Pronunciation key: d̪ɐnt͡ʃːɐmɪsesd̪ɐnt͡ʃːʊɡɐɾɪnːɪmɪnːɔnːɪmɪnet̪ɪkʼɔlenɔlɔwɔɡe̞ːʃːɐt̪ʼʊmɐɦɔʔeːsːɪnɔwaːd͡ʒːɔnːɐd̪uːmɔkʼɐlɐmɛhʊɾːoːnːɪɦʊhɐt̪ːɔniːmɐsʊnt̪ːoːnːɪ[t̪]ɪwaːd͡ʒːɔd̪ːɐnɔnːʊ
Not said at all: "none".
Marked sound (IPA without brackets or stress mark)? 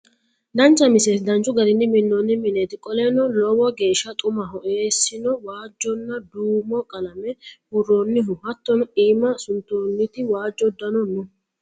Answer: t̪